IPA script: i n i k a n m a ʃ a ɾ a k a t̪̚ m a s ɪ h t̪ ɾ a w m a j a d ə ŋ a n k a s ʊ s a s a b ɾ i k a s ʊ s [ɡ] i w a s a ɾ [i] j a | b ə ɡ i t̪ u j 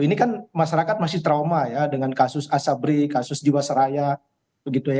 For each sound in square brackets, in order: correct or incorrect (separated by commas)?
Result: incorrect, incorrect